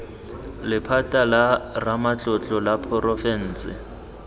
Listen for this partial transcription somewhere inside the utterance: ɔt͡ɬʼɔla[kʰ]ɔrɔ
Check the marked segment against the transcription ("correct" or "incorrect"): incorrect